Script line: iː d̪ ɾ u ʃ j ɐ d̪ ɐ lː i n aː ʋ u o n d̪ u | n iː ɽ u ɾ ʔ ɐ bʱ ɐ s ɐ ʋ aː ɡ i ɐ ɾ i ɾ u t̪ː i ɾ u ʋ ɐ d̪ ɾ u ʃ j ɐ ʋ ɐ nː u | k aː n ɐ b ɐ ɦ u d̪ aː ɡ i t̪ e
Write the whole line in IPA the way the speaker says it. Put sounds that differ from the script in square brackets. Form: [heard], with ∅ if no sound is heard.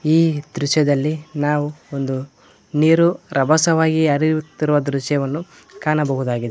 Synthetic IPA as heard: iː d̪ ɾ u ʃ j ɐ d̪ ɐ lː i n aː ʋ u o n d̪ u | n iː [ɾ] u ɾ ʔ ɐ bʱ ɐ s ɐ ʋ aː ɡ i ɐ ɾ i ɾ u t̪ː i ɾ u ʋ ɐ d̪ ɾ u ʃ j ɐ ʋ ɐ nː u | k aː n ɐ b ɐ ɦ u d̪ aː ɡ i [d̪] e